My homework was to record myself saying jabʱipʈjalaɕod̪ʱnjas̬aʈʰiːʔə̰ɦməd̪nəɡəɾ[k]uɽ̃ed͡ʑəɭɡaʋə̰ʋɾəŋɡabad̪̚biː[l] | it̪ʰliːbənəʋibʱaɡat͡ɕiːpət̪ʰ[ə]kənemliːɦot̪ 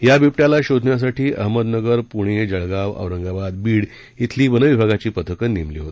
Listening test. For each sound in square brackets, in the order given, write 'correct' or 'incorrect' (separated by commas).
incorrect, incorrect, correct